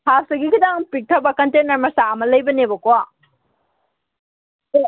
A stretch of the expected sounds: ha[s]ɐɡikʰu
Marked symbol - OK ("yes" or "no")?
yes